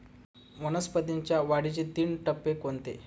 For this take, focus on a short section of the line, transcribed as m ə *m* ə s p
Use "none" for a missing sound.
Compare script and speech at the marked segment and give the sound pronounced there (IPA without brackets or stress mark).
n